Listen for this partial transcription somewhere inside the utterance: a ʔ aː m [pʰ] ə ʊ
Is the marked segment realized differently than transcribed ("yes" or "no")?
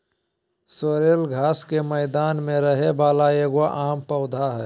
yes